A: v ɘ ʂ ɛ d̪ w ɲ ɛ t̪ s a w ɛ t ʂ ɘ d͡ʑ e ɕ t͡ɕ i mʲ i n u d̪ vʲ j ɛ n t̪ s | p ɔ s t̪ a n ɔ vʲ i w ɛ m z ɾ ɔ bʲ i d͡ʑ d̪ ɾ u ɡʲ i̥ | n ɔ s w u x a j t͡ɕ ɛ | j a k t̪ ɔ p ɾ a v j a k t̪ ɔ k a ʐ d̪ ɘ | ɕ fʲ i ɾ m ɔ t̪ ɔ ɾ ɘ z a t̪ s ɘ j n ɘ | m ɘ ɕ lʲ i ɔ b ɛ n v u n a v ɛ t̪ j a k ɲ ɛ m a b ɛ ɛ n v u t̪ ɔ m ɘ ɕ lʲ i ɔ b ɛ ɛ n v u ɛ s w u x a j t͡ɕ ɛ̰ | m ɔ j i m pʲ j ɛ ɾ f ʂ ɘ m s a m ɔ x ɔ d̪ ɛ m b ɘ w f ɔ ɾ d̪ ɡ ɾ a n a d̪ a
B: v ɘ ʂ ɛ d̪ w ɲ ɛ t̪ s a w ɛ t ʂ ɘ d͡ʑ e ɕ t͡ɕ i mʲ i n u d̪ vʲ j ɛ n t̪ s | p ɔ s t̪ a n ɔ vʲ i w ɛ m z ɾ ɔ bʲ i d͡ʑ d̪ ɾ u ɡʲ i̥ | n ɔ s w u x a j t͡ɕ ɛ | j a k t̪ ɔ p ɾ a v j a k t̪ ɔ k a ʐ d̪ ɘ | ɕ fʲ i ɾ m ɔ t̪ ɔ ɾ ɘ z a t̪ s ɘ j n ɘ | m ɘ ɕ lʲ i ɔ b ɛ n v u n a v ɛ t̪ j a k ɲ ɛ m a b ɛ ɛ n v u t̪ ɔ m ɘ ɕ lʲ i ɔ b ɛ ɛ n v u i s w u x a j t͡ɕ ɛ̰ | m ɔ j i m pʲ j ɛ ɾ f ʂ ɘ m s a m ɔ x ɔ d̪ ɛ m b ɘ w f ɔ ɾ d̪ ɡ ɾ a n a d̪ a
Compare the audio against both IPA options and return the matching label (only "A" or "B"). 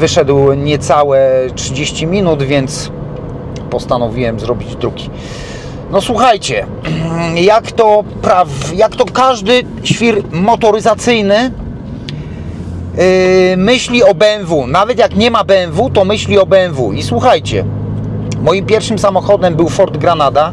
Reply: B